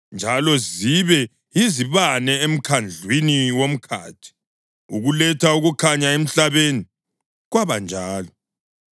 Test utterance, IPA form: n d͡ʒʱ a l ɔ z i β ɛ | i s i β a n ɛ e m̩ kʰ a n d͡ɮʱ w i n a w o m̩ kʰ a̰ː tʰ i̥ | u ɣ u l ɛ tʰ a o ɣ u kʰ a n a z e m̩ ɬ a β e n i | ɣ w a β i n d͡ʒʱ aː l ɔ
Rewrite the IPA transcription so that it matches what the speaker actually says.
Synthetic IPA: n d͡ʒʱ a l ɔ z i β ɛ | i z i β a n ɛ e m̩ kʰ a n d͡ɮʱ w i n i w o m̩ kʰ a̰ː tʰ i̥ | u ɣ u l ɛ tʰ a u ɣ u kʰ a ɲ a e m̩ ɬ a β e n i | ɣ w a β a n d͡ʒʱ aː l ɔ